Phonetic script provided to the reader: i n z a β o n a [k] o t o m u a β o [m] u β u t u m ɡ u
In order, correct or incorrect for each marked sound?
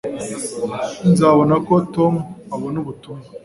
correct, incorrect

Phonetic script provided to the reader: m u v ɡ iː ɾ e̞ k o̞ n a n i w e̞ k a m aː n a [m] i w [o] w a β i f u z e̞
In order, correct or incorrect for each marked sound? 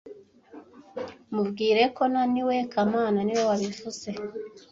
incorrect, correct

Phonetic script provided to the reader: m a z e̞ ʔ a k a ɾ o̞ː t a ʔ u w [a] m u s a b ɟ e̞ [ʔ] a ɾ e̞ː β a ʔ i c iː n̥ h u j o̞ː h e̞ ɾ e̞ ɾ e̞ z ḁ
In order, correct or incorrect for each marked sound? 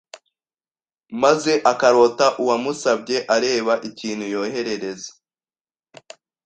correct, correct

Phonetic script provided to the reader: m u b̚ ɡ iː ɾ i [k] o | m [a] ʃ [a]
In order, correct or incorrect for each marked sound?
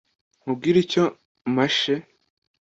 incorrect, correct, incorrect

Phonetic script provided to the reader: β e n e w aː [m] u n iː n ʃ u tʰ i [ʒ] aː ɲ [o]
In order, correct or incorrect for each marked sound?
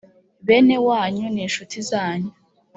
incorrect, incorrect, incorrect

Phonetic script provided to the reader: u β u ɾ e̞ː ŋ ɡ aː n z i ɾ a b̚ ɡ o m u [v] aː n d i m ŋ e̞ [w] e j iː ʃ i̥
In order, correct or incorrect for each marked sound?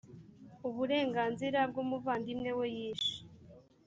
correct, correct

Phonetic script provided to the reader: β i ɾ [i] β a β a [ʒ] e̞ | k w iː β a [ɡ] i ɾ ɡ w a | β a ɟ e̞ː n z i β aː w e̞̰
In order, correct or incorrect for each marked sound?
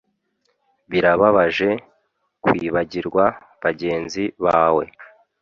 incorrect, correct, incorrect

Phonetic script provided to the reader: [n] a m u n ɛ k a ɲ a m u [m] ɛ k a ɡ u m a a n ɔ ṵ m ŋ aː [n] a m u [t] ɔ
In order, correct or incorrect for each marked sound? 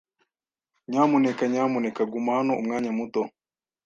incorrect, incorrect, incorrect, correct

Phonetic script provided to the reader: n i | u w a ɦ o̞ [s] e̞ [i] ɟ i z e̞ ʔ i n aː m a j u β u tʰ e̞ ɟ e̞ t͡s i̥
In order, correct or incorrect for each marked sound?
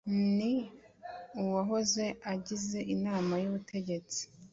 incorrect, incorrect

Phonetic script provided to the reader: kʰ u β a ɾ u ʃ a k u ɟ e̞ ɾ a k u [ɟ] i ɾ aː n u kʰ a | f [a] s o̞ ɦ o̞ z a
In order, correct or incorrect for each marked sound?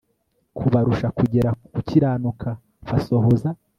incorrect, correct

